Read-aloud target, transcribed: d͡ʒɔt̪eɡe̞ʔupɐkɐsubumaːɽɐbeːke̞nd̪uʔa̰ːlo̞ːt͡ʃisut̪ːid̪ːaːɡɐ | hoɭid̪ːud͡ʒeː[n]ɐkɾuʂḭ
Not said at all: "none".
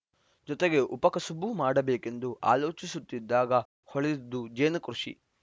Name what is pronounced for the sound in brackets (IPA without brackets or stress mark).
n